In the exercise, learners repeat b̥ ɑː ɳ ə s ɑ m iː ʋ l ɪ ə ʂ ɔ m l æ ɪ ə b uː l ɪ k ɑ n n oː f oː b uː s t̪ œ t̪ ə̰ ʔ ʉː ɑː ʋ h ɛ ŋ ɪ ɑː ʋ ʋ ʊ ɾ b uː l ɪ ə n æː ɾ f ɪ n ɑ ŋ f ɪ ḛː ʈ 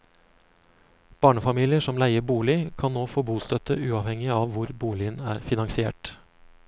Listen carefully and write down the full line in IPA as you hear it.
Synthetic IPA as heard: b̥ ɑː ɳ ə f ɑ m iː l ɪ ə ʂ ɔ m l æ ɪ ə b uː l ɪ kʰ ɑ n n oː f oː b uː s t̪ œ t̪ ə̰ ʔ ʉː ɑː ʋ h ɛ ŋ ɪ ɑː ʋ ʋ ʊ ɾ b uː l ɪ ə n æː ɾ f ɪ n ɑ ŋ s ɪ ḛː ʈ